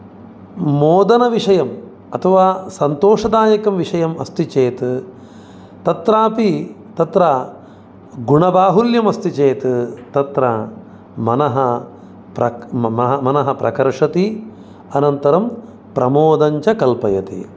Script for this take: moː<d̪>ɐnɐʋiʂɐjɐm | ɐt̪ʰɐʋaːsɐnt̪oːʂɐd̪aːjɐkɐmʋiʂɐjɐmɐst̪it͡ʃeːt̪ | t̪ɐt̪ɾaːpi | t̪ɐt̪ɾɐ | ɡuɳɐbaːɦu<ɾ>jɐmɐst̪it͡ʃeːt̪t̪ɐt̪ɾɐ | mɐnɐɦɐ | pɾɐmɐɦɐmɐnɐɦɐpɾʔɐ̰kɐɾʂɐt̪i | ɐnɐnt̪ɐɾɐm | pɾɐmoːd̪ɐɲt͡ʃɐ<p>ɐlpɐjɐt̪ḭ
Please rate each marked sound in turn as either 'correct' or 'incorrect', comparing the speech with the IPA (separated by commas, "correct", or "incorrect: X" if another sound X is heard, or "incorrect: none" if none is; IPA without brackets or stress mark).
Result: correct, incorrect: l, incorrect: k